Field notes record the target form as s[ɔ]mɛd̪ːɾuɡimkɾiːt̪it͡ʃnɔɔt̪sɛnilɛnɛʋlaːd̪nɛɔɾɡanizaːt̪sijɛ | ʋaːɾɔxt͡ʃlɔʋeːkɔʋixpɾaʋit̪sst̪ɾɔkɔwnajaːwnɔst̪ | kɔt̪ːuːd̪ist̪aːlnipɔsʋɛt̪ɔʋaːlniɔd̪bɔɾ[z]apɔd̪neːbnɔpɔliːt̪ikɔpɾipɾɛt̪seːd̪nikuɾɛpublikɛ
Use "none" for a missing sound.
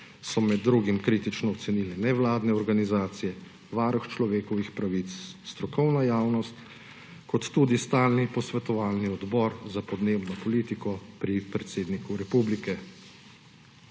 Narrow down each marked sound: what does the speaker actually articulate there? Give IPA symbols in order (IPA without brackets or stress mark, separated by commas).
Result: ɔ, z